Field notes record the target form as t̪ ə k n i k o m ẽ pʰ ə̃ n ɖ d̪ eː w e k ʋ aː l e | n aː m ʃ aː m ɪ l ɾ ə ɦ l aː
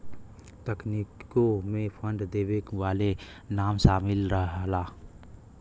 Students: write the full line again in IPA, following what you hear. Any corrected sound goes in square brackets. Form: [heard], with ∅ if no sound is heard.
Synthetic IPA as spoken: t̪ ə k n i k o m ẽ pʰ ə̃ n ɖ d̪ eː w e k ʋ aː l e | n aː m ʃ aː m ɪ l ɾ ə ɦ l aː